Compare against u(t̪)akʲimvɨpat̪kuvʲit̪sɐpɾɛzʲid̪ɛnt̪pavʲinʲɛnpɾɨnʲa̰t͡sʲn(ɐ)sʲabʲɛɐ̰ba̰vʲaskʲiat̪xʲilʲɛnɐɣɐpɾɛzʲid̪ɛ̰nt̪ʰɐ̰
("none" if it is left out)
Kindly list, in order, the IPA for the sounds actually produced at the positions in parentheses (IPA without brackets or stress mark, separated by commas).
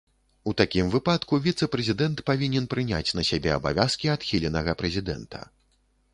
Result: t̪, ɐ